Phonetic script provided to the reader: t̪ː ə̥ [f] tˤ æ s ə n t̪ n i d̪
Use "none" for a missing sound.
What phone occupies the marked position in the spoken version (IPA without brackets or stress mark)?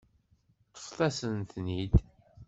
f